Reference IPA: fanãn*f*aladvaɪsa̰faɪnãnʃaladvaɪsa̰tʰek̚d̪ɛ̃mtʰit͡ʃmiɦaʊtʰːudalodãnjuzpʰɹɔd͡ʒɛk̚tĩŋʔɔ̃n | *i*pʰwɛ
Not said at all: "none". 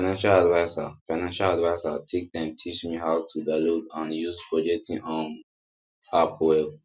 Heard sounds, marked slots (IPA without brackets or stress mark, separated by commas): ʃ, a